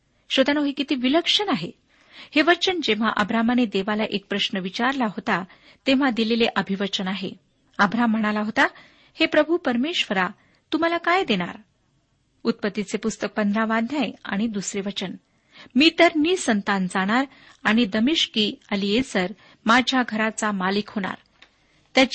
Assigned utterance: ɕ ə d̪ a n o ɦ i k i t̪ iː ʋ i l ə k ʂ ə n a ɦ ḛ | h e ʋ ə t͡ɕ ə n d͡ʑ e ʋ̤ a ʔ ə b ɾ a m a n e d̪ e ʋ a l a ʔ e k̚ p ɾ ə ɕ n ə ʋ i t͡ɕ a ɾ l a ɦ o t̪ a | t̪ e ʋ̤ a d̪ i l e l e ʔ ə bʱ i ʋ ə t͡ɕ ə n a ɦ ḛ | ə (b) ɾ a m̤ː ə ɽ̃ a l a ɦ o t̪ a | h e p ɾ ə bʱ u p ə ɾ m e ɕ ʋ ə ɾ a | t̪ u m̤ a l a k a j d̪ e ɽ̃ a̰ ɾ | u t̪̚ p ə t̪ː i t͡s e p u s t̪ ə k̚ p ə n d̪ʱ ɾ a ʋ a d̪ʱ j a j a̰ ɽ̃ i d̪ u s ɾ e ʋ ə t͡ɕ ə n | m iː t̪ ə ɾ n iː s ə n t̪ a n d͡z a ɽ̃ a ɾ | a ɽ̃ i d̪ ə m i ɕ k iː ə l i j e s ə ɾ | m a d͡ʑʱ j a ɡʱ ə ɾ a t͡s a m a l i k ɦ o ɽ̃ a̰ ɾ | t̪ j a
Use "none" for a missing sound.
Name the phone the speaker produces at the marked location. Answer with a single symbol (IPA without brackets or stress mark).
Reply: b